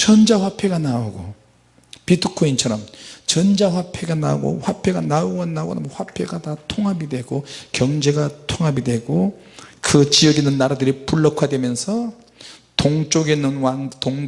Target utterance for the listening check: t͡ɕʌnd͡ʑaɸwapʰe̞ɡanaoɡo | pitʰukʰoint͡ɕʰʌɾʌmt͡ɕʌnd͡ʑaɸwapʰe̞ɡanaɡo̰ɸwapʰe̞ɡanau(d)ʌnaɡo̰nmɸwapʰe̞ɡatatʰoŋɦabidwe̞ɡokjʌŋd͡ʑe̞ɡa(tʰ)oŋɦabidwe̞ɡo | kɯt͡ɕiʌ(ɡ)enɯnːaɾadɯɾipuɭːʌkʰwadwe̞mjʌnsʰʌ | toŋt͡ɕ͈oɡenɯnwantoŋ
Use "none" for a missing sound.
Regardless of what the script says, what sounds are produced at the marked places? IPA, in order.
ɡ, tʰ, ɡ

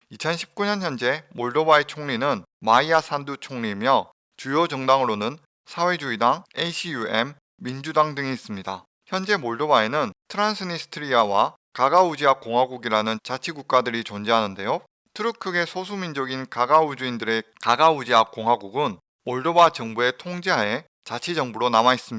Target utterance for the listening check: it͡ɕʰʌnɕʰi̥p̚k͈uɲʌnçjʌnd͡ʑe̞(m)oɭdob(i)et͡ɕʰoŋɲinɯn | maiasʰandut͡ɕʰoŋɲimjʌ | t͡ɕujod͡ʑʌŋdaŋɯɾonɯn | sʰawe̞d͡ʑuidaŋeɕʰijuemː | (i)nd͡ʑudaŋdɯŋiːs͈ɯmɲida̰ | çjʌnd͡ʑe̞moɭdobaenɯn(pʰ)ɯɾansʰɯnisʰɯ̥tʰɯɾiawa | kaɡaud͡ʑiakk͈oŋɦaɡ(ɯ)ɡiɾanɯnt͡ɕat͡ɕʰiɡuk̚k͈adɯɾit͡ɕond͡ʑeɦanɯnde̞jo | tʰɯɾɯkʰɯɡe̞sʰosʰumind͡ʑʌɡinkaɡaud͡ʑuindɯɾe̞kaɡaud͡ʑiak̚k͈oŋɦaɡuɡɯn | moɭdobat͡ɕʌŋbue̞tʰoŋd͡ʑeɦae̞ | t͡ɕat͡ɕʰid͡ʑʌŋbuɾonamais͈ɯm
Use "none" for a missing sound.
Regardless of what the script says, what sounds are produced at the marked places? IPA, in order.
m, a, i, tʰ, u

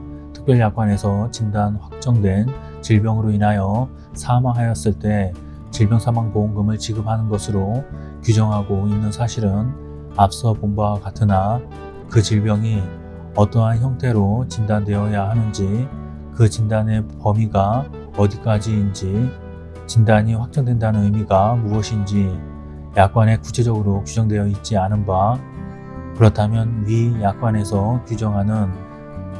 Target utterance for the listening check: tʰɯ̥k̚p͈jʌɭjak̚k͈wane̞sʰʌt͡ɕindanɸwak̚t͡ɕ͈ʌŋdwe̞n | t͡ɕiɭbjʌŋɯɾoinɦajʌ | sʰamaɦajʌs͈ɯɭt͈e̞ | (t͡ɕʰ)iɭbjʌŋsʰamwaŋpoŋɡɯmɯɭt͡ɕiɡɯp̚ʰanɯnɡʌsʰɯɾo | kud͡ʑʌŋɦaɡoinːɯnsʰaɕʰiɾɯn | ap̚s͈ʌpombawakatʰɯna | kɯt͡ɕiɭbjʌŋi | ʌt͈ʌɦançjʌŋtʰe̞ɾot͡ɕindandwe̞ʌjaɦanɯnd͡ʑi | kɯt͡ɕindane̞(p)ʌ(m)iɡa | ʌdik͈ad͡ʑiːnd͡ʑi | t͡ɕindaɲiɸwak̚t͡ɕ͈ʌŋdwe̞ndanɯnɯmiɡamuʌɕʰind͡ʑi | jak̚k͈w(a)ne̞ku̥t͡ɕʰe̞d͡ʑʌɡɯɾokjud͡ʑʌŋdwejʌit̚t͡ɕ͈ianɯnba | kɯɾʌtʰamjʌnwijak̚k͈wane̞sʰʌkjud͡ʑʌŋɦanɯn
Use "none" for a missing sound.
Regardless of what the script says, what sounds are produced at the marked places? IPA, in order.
t͡ɕ, p, m, a

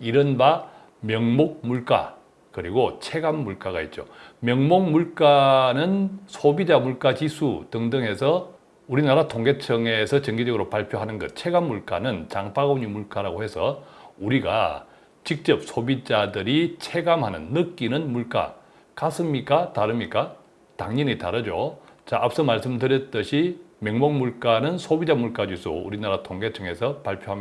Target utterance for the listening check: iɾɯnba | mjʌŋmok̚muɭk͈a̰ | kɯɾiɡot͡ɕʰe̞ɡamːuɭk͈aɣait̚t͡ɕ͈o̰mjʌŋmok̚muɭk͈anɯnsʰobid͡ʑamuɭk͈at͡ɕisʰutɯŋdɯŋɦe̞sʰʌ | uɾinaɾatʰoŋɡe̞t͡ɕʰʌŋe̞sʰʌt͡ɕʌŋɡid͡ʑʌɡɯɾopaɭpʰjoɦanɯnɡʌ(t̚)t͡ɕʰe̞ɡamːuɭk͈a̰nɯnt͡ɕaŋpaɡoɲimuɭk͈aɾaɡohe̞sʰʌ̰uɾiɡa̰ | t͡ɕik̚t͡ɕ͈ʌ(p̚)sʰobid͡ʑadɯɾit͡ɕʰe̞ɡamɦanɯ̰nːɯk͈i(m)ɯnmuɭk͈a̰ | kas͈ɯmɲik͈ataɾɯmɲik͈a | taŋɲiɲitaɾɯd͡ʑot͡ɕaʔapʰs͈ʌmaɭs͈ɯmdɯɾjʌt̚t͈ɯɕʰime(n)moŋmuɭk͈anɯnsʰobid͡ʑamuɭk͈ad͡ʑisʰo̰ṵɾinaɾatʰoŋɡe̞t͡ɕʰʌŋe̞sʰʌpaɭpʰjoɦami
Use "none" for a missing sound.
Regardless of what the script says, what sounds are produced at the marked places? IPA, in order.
t̚, p̚, n, ŋ

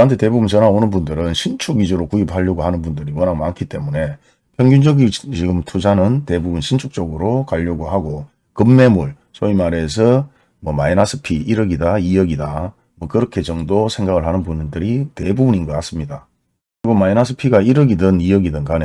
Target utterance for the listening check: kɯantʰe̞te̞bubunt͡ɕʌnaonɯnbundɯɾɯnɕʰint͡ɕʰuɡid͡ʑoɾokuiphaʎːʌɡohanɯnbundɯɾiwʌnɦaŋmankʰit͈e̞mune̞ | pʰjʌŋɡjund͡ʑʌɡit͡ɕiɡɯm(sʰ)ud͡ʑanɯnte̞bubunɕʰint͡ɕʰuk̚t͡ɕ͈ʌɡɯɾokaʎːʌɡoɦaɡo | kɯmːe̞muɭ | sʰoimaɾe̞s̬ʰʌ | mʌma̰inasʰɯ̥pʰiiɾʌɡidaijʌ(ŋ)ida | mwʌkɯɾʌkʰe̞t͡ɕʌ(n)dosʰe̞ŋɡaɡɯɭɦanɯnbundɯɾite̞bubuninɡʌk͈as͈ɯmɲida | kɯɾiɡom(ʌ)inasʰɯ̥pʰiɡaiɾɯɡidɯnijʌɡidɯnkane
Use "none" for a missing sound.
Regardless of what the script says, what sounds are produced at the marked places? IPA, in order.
tʰ, ɡ, ŋ, a

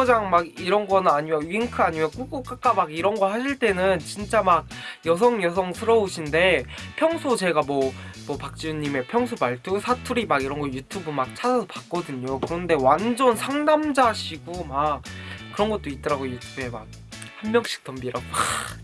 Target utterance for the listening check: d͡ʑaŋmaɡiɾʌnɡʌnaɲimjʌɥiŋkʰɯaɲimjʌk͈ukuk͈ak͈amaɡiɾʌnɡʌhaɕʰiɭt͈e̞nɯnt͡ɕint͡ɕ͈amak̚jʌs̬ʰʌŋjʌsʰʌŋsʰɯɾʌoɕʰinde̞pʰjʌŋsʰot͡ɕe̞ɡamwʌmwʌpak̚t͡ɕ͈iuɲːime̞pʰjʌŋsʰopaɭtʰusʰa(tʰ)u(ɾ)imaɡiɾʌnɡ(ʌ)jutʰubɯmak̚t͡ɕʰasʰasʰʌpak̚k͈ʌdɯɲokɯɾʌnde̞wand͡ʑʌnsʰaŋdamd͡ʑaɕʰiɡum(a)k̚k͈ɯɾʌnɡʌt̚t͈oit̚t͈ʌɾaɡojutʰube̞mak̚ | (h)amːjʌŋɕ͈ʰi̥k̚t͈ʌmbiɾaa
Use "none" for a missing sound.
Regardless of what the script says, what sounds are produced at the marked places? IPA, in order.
tʰ, ɾ, ʌ, a, h

